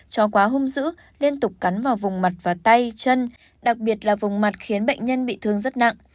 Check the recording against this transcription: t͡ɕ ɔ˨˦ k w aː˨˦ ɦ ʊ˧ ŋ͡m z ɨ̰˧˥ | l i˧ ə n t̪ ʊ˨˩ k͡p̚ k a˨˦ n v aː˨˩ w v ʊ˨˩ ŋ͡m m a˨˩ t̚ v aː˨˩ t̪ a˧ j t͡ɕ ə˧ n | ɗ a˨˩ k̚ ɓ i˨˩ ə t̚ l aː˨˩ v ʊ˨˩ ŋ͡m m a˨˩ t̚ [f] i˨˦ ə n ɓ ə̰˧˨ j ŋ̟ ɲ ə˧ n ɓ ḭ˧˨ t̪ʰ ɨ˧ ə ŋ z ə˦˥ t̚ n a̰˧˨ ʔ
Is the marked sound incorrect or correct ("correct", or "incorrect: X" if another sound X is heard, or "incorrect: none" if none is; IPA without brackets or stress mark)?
incorrect: x